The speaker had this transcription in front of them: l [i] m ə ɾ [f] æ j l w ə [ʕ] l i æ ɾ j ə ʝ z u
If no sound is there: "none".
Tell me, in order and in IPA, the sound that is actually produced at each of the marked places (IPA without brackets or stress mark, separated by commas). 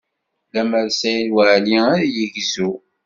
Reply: æ, s, ʕ